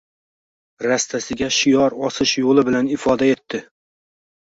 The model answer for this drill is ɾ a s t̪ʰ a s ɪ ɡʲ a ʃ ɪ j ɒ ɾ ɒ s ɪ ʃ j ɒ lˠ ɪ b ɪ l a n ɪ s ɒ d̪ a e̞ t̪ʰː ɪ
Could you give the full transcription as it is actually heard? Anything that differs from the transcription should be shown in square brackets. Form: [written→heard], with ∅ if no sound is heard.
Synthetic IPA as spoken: ɾ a s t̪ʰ a s ɪ ɡʲ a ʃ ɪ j ɒ ɾ ɒ s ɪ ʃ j [ɒ→o] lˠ ɪ b ɪ l a n ɪ [s→f] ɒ d̪ a e̞ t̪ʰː ɪ